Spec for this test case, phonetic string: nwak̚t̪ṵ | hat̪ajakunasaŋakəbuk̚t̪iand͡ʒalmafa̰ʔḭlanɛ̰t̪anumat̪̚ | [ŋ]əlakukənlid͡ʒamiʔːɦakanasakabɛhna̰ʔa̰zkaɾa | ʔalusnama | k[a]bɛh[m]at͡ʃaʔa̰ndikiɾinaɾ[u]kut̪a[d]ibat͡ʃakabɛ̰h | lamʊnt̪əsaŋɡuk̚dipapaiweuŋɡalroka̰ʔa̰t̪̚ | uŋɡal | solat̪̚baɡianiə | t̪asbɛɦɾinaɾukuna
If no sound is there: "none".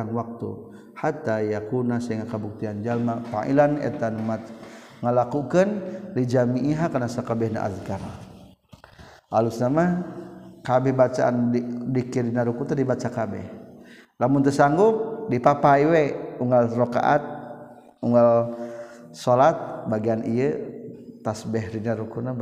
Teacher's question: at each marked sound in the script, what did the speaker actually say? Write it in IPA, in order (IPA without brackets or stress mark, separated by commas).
ŋ, a, b, u, d